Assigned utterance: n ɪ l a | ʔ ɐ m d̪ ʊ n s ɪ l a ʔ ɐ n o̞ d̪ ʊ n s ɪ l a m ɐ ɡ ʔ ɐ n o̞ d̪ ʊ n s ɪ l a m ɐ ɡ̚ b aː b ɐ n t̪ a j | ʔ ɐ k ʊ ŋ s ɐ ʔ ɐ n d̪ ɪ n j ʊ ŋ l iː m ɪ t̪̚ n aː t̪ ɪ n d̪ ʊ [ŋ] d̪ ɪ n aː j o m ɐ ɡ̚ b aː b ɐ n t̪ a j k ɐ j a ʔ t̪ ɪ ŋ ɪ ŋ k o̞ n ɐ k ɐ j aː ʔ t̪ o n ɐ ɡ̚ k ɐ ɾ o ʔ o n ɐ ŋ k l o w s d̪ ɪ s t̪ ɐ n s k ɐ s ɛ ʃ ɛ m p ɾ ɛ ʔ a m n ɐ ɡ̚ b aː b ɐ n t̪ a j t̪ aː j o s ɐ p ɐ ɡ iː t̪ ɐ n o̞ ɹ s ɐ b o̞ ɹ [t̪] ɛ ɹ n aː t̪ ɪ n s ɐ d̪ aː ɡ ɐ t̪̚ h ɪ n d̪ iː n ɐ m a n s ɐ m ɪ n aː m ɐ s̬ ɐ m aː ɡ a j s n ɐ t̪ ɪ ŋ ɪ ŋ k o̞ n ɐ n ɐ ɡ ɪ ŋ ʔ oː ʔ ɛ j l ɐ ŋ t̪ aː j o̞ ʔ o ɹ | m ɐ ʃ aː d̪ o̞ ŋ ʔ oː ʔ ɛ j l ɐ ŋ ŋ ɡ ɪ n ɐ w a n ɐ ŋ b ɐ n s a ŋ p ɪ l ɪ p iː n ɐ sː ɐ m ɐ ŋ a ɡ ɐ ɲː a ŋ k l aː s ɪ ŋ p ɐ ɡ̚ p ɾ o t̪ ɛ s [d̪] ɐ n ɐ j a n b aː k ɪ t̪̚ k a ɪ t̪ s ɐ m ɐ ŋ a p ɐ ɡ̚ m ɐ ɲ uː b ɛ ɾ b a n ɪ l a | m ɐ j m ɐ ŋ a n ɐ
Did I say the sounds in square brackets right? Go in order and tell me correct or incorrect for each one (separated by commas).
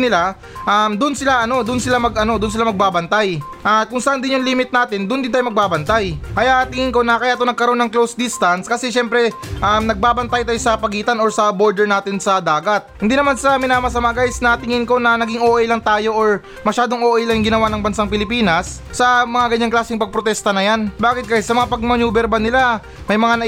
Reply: incorrect, incorrect, incorrect